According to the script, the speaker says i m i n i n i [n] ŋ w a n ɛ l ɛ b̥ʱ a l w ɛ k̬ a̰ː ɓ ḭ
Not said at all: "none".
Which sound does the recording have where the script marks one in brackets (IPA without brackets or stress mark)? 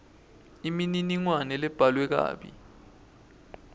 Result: none